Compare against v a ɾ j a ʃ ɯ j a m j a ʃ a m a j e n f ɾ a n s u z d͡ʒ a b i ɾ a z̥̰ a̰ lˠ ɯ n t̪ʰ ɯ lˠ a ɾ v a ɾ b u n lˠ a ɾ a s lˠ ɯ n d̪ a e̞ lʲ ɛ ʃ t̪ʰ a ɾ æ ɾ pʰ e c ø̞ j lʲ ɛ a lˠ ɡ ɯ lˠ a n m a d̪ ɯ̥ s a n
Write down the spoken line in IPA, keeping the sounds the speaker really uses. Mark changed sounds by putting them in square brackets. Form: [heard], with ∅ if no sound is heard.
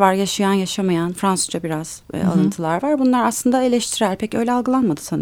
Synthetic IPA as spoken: v a ɾ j a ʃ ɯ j a [n] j a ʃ a m a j [a] n f ɾ a n s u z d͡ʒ a b i ɾ a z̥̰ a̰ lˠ ɯ n t̪ʰ ɯ lˠ a ɾ v a ɾ b u n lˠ a ɾ a s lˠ ɯ n d̪ a e̞ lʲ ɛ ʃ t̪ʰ [i] ɾ æ ɾ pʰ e c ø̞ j lʲ ɛ a lˠ ɡ ɯ lˠ a n m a d̪ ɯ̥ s a n